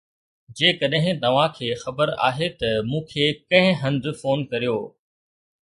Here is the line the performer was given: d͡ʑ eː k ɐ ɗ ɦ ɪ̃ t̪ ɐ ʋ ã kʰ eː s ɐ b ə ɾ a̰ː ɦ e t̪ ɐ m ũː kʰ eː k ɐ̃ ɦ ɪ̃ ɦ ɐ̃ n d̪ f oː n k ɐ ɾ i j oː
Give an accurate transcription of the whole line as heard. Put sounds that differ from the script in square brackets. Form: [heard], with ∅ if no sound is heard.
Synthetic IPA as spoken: d͡ʑ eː k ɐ ɗ ɦ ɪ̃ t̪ ɐ ʋ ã kʰ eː [x] ɐ b ə ɾ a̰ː ɦ e t̪ ɐ m ũː kʰ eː k ɐ̃ ɦ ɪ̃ ɦ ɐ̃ n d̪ f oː n k ɐ ɾ i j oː